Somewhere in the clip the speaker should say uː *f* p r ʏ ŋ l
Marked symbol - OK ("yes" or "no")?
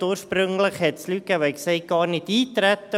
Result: no